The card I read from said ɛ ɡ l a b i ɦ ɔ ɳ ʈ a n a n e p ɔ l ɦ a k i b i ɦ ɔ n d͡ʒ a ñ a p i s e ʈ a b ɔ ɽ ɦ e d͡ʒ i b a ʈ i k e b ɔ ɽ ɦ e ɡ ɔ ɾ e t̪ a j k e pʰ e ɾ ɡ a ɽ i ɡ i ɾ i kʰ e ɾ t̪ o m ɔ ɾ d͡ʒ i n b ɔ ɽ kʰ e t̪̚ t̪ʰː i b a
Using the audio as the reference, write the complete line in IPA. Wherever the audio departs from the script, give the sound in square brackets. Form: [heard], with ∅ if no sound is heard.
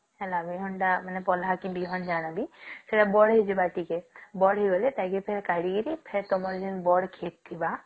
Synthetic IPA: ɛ [∅] l a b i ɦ ɔ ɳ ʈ a [m] a n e p ɔ l ɦ a k i b i ɦ ɔ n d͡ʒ a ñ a [b] i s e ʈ a b ɔ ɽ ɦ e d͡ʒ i b a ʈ i k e b ɔ ɽ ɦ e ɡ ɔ [l] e t̪ a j k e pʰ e ɾ [k] a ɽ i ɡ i ɾ i [pʰ] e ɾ t̪ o m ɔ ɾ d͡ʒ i n b ɔ ɽ kʰ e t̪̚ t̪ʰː i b a